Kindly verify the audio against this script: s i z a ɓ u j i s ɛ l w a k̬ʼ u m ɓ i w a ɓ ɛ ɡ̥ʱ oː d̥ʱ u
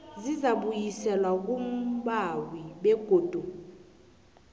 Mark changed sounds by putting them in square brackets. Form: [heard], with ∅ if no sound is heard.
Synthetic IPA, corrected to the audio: [z] i z a ɓ u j i s ɛ l w a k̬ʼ u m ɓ [a] w [i] ɓ ɛ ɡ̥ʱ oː d̥ʱ u